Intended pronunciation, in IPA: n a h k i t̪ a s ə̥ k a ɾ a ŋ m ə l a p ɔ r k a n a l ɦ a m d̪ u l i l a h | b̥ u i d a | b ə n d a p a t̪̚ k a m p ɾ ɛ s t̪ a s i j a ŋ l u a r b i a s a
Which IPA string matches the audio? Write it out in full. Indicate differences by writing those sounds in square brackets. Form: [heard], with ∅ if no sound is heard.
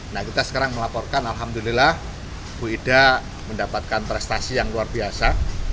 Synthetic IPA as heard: n a h k i t̪ a s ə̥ k a ɾ a ŋ m ə l a p ɔ r k a n a l ɦ a m d̪ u l i l a h | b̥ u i d a | [m] ə n d a p a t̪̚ k a [n] p ɾ ɛ s t̪ a s i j a ŋ l u a r b i a s a